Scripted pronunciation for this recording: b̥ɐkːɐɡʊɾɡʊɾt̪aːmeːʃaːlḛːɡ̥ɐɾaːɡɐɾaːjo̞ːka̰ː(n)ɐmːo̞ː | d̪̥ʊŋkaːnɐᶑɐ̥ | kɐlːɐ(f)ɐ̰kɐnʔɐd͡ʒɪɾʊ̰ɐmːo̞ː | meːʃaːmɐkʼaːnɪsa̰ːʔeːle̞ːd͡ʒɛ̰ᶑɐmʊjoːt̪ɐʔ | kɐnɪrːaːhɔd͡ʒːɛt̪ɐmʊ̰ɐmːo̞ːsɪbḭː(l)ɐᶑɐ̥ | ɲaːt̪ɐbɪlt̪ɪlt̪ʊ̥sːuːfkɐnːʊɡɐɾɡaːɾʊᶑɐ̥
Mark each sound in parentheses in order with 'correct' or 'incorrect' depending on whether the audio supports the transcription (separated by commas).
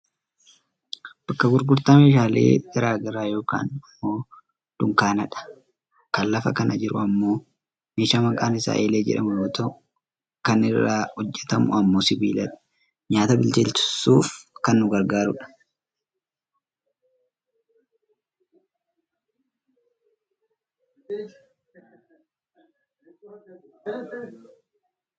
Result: correct, correct, correct